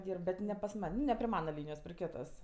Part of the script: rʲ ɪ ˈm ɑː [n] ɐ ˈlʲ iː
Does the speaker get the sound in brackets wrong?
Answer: no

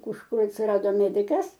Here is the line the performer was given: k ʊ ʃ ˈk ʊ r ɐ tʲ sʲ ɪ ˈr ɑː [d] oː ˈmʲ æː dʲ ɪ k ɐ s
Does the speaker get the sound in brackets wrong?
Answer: no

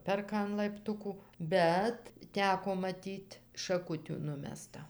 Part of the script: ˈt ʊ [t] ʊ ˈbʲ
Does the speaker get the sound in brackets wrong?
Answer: yes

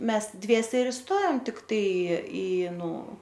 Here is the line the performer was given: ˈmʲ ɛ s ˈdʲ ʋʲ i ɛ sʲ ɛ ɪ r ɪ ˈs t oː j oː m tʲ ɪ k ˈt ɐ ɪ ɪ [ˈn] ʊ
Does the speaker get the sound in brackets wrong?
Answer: no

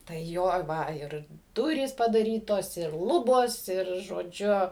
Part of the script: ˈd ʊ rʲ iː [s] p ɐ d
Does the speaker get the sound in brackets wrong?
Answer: no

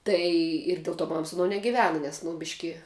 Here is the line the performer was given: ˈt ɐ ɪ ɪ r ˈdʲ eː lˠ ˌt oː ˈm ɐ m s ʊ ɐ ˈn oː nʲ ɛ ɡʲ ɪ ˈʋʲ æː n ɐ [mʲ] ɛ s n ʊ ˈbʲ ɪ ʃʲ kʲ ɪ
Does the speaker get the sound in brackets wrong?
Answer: yes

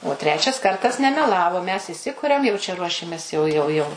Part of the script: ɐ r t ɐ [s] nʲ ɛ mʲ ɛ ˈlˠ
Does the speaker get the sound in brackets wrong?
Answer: no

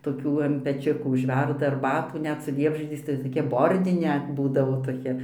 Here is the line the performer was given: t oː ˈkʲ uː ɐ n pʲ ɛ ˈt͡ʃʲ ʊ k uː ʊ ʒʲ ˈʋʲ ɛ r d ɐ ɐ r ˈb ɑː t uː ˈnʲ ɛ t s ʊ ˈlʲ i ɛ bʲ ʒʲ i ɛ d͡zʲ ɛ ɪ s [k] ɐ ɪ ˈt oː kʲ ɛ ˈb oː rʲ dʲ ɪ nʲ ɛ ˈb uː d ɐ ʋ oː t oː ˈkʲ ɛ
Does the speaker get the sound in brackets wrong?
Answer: yes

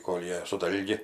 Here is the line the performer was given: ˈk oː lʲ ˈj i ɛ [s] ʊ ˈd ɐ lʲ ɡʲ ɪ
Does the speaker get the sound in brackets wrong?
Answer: no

